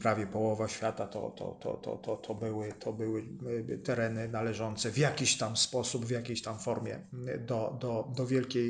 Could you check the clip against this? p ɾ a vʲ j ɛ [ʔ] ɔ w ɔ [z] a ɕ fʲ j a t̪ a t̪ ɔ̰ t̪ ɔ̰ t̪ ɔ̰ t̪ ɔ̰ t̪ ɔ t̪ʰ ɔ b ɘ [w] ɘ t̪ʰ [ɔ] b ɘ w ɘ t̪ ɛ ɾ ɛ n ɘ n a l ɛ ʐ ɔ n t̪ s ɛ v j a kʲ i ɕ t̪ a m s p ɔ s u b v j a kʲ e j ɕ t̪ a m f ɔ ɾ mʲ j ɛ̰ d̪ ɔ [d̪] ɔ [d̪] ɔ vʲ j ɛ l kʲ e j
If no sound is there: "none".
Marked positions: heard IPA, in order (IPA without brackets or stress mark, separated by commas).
p, v, w, ɔ, d̪, d̪